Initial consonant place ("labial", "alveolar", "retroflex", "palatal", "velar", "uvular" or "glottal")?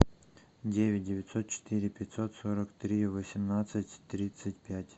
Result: alveolar